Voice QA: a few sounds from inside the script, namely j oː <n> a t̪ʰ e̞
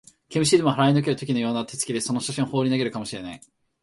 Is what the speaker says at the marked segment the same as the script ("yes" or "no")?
yes